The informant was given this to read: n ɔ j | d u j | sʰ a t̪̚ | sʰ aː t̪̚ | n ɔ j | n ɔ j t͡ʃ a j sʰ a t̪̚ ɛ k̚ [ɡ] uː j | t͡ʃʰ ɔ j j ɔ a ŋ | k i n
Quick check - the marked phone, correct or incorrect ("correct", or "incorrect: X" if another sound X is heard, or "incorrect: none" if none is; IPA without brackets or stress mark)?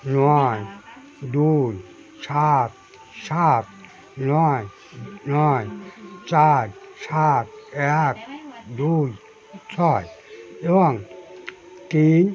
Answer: incorrect: d